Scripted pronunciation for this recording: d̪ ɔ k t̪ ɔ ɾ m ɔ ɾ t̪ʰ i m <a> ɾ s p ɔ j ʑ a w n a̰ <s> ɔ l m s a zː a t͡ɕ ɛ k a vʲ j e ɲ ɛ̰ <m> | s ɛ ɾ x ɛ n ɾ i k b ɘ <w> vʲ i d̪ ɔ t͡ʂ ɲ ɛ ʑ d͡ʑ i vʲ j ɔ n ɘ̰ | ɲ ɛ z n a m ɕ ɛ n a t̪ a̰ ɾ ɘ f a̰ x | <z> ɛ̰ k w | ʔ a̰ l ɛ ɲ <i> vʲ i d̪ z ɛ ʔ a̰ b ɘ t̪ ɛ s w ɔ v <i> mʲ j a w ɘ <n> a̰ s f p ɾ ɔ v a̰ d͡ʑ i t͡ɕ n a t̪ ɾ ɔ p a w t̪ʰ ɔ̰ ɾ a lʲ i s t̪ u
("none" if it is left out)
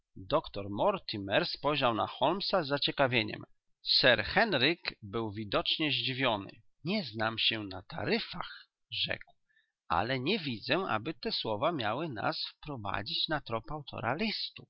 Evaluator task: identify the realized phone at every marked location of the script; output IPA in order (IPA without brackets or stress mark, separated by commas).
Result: ɛ, x, m, w, ʐ, ɛ, a, n